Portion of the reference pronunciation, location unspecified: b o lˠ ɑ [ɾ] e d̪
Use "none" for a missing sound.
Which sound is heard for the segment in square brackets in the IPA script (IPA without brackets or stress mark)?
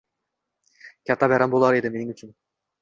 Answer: ɾ